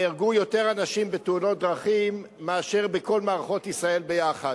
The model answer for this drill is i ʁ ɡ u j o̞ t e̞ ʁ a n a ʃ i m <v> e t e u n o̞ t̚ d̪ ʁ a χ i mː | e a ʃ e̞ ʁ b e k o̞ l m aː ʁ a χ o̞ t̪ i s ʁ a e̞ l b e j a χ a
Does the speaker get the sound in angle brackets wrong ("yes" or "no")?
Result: yes